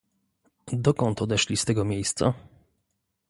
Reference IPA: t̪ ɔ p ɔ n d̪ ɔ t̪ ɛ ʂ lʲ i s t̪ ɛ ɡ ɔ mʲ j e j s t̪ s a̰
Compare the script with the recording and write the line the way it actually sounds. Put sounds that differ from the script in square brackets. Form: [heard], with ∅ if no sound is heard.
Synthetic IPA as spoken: [d̪] ɔ [k] ɔ n [t̪] ɔ [d̪] ɛ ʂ lʲ i s t̪ ɛ ɡ ɔ mʲ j e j s t̪ s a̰